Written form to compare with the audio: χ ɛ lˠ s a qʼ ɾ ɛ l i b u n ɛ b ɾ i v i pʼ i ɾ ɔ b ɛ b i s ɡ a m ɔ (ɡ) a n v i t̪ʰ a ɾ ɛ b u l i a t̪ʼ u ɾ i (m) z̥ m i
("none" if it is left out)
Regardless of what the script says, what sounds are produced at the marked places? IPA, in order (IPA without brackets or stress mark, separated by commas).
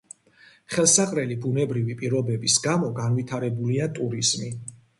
ɡ, none